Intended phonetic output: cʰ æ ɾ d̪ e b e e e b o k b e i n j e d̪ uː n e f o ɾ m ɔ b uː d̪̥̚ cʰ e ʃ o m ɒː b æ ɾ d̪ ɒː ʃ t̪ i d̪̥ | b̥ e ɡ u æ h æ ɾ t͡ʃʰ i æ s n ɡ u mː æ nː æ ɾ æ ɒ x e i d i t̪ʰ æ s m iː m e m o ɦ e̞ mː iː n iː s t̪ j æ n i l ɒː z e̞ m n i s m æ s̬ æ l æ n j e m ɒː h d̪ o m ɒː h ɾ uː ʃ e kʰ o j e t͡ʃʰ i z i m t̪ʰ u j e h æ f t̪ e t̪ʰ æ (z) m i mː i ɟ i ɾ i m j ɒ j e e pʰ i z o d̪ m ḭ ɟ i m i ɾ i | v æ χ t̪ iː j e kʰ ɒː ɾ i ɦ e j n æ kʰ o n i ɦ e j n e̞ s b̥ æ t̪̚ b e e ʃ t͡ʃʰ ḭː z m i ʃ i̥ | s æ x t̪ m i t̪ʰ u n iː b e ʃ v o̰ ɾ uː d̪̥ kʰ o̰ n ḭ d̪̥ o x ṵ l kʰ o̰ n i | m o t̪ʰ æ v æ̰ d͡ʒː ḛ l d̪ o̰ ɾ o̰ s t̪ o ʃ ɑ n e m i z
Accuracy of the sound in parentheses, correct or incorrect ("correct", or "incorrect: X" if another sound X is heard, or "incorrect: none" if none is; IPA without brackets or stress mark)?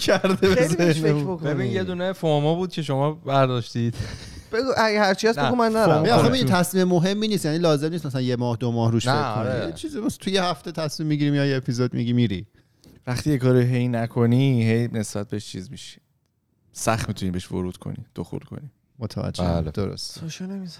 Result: incorrect: s